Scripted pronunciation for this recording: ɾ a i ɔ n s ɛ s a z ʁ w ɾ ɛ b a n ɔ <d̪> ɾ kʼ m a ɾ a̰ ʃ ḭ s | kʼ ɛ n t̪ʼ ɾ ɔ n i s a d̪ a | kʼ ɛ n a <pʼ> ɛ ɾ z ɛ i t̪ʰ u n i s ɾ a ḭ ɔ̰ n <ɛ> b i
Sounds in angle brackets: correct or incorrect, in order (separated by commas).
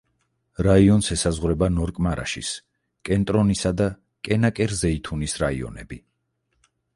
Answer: incorrect, incorrect, correct